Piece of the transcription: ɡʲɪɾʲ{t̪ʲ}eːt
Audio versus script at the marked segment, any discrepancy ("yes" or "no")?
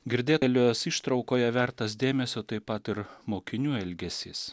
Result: yes